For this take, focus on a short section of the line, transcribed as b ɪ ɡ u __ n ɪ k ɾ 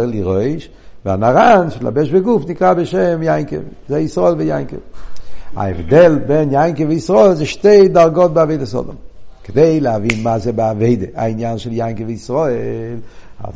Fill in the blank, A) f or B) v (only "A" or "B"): A